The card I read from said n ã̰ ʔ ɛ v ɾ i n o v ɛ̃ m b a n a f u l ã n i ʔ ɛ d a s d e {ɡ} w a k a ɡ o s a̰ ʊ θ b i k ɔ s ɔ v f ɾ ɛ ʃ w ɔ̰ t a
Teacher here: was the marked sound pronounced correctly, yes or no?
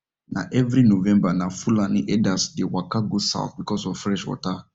no